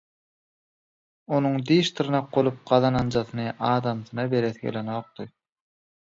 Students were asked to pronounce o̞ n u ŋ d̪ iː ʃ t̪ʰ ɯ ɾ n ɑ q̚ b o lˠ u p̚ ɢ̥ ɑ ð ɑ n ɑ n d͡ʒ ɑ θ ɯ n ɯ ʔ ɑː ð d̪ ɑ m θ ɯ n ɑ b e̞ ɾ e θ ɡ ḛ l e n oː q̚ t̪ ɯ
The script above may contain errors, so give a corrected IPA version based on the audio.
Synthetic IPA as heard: o̞ n u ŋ d̪ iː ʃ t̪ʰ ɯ ɾ n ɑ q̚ b o lˠ u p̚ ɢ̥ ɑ ð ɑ n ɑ n d͡ʒ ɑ θ ɯ n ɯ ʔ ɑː d̪ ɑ m θ ɯ n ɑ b e̞ ɾ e θ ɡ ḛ l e n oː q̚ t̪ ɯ